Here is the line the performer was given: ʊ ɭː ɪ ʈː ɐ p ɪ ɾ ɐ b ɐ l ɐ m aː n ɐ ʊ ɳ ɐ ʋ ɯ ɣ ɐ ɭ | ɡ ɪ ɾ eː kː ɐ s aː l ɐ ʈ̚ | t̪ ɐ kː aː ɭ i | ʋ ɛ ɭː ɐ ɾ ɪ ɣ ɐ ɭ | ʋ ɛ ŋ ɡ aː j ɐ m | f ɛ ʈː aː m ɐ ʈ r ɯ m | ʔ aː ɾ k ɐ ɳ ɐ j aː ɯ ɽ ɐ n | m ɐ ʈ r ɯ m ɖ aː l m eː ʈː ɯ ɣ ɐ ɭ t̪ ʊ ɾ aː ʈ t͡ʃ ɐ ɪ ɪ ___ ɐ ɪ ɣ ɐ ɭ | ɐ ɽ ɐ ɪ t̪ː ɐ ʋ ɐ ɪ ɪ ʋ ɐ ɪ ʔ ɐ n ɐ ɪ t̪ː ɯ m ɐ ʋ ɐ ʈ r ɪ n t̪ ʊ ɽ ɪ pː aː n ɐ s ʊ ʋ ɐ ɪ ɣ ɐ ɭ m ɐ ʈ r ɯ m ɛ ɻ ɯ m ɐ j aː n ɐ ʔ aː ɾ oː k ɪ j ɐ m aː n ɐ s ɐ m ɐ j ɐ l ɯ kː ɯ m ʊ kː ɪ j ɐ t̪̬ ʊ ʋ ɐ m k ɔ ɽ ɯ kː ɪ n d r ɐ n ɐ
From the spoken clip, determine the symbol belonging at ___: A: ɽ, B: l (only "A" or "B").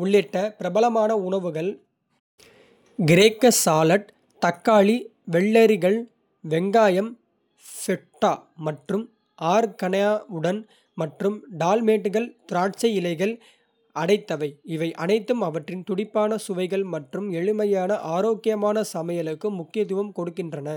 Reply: B